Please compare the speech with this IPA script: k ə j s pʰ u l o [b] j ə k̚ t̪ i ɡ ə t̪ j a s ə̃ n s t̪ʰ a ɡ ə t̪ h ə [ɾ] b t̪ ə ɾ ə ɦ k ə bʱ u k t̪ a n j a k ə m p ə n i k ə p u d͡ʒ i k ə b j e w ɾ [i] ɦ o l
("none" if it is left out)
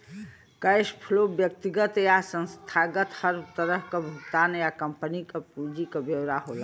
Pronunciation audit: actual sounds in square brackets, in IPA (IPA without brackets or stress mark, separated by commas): b, ɾ, a